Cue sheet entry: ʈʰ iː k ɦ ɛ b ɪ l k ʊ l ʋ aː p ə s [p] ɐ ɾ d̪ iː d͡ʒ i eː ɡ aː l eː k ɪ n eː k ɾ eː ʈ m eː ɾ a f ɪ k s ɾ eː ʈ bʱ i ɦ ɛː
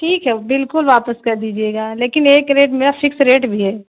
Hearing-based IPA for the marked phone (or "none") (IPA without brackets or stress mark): k